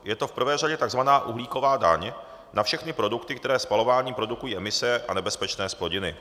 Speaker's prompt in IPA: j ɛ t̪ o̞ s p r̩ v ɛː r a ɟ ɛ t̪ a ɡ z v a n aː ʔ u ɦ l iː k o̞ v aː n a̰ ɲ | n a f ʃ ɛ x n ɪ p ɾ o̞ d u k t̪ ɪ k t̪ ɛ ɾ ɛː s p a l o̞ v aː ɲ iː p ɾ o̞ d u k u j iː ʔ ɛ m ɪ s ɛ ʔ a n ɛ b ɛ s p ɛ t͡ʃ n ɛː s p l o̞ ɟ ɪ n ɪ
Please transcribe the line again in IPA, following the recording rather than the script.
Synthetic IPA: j ɛ t̪ o̞ f p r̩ v ɛː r a ɟ ɛ t̪ a ɡ z v a n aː ʔ u ɦ l iː k o̞ v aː d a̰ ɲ | n a f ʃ ɛ x n ɪ p ɾ o̞ d u k t̪ ɪ k t̪ ɛ ɾ ɛː s p a l o̞ v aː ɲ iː p ɾ o̞ d u k u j iː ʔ ɛ m ɪ s ɛ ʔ a n ɛ b ɛ s p ɛ t͡ʃ n ɛː s p l o̞ ɟ ɪ n ɪ